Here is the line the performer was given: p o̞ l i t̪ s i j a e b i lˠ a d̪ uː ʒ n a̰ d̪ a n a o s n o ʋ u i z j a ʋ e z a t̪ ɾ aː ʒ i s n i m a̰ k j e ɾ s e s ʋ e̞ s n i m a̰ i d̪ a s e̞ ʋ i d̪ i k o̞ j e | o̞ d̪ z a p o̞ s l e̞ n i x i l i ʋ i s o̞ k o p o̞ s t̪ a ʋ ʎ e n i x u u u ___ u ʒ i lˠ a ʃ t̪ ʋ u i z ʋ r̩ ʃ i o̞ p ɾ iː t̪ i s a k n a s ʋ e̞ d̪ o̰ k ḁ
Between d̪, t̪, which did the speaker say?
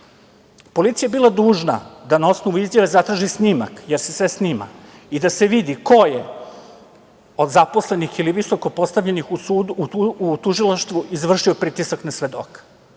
t̪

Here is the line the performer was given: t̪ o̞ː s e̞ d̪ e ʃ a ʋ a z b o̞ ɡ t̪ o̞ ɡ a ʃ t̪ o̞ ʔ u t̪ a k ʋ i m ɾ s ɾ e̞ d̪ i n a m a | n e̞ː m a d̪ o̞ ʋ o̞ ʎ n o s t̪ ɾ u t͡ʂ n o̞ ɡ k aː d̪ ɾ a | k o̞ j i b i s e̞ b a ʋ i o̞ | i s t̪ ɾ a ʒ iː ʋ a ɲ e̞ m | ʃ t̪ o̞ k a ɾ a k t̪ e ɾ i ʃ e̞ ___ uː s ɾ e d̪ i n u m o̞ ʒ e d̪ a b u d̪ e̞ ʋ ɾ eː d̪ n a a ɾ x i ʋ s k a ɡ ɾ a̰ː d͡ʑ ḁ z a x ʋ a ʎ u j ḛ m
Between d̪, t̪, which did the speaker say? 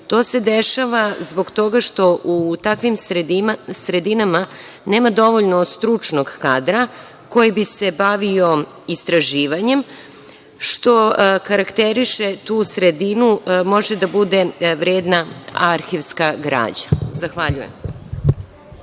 t̪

